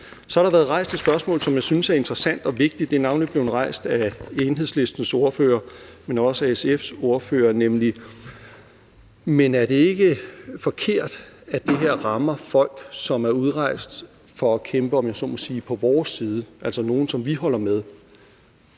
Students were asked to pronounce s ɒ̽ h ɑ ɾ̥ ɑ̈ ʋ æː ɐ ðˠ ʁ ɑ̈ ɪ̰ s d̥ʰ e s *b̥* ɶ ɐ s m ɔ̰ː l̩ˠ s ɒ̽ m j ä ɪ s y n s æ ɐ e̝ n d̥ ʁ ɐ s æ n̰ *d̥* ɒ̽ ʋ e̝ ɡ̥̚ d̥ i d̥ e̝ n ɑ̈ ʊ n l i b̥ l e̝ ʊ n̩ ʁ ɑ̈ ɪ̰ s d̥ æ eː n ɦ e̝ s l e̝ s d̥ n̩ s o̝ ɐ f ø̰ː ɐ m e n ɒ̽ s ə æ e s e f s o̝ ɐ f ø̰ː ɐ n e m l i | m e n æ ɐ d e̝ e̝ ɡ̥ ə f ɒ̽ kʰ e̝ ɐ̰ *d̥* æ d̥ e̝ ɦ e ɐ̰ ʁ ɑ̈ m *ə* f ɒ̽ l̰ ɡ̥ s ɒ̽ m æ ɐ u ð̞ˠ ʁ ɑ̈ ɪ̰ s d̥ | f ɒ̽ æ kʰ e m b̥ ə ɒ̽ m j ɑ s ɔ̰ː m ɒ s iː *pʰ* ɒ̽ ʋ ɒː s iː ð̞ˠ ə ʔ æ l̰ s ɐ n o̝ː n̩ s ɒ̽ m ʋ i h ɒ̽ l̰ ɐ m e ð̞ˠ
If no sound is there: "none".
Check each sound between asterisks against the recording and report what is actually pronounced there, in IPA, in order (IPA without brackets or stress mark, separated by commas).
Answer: b̥, d̥, d̥, ɐ, pʰ